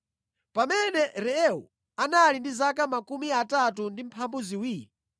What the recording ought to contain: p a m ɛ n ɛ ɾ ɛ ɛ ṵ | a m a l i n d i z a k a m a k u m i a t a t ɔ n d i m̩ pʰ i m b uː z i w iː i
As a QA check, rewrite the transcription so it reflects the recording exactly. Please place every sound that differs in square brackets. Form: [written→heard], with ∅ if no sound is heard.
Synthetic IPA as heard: p a m ɛ n ɛ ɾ ɛ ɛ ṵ | a [m→n] a l i n d i z a k a m a k u m i a t a t [ɔ→u] n d i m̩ pʰ [i→a] m b [uː→u] z i w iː i